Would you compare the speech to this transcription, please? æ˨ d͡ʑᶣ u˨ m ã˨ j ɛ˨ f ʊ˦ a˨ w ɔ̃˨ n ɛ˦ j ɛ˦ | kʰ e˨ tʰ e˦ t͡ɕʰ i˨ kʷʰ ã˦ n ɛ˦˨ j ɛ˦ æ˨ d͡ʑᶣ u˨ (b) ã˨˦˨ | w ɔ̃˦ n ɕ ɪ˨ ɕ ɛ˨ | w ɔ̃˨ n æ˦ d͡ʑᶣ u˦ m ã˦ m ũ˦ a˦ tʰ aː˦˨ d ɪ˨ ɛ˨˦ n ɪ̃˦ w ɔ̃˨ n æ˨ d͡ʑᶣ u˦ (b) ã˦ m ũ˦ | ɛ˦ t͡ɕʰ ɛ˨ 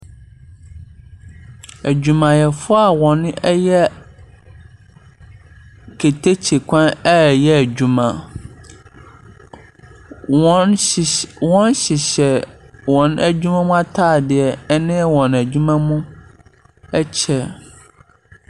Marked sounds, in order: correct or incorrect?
incorrect, incorrect

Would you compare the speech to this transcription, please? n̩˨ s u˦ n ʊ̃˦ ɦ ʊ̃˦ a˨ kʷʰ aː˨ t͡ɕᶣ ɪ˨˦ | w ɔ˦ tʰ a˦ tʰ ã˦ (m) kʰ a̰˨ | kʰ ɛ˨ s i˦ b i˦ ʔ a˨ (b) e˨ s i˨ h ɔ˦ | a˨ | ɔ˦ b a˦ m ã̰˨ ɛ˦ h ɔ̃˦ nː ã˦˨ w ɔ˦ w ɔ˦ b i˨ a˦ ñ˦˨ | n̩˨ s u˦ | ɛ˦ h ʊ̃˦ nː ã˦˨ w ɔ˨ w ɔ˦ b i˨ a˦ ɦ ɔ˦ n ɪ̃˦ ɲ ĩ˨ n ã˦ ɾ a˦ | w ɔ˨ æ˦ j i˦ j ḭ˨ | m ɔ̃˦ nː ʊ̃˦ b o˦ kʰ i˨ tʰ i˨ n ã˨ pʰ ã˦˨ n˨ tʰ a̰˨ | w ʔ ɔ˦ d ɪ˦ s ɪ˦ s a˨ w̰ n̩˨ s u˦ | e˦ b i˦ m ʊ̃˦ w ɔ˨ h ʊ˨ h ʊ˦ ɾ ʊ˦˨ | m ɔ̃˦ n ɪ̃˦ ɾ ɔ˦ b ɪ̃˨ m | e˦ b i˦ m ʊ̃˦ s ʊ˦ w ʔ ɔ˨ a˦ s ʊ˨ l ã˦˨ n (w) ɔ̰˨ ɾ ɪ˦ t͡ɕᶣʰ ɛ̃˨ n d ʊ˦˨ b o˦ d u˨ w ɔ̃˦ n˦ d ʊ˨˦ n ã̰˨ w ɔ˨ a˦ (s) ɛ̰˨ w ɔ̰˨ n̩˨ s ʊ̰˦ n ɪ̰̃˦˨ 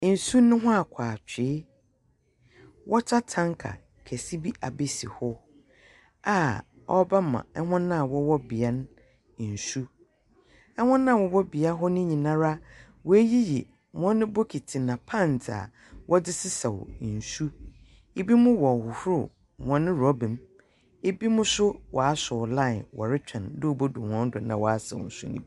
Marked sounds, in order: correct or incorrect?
incorrect, correct, correct, correct

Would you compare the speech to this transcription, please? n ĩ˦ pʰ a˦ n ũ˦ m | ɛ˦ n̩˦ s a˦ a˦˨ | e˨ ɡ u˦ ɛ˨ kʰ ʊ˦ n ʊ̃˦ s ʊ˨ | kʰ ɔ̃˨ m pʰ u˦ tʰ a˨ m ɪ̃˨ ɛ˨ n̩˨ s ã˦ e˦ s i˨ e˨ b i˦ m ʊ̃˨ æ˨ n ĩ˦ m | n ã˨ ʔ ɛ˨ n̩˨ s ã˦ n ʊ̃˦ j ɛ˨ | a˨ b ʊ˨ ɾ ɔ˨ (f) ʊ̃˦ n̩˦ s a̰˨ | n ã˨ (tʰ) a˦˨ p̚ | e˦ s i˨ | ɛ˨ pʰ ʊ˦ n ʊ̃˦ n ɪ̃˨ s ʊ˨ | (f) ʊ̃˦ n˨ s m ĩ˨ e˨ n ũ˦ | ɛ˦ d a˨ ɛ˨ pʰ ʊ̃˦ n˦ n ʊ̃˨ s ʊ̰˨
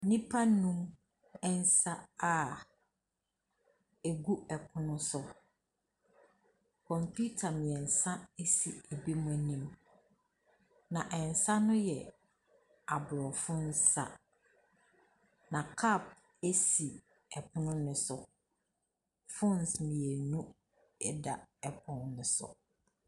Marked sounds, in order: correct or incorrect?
correct, incorrect, correct

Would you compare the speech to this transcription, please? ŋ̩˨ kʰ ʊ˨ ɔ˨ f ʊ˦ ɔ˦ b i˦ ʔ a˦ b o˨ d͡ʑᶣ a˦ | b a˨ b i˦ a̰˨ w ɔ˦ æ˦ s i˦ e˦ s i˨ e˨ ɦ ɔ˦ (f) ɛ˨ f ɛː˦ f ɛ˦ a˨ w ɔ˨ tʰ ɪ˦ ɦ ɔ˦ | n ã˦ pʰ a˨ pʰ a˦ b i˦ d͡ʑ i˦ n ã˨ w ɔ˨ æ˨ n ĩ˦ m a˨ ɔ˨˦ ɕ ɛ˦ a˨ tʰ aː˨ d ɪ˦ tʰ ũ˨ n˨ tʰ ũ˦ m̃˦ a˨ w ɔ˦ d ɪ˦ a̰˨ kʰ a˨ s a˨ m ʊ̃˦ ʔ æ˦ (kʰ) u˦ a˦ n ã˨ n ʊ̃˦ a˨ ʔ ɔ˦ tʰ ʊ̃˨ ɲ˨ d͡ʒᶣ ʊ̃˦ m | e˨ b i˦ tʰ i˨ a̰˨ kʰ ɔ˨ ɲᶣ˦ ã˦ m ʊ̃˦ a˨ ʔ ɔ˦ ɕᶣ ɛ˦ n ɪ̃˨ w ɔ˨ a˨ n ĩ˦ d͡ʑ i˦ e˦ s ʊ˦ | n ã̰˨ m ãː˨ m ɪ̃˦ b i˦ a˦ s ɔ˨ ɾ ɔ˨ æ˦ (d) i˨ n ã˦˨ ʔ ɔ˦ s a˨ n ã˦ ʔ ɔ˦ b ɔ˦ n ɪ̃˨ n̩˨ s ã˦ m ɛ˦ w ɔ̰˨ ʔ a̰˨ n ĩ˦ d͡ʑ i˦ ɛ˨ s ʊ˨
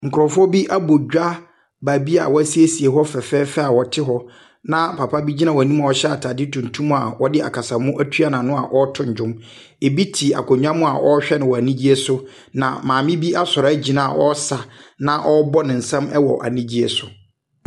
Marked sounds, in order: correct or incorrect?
correct, incorrect, incorrect

